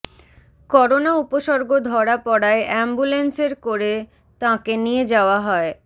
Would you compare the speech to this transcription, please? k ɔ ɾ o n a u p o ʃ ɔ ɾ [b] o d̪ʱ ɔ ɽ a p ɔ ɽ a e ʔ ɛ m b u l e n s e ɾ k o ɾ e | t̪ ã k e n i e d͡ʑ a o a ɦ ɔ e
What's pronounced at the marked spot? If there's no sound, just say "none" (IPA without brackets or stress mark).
ɡ